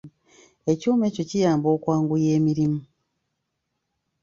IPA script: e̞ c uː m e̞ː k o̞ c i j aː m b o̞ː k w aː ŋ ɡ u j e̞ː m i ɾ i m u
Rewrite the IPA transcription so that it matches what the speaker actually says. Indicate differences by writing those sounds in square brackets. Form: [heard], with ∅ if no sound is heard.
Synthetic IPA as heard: e̞ c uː m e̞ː [c] o̞ c i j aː m b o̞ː k w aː ŋ ɡ u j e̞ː m i ɾ i m u